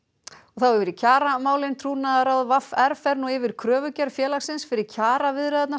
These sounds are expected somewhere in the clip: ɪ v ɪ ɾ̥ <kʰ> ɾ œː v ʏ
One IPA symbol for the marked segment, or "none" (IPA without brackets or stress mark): kʰ